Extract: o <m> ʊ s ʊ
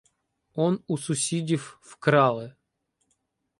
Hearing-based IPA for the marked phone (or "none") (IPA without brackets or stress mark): n